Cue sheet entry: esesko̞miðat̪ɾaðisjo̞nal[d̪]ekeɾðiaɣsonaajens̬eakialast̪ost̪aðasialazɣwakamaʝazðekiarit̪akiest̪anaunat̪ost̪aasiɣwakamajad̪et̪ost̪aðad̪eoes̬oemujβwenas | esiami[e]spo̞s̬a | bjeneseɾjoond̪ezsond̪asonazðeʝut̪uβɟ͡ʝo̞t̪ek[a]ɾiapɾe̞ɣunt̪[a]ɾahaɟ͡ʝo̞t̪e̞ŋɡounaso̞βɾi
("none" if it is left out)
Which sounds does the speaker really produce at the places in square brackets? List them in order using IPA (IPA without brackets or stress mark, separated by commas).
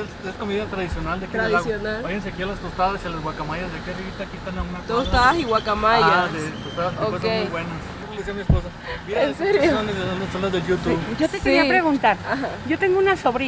d̪, e, e, a